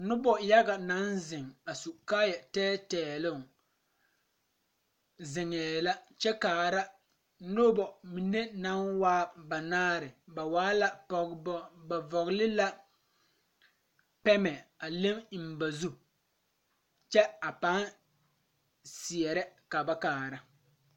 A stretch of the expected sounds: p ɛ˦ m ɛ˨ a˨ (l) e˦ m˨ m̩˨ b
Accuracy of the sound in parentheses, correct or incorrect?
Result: correct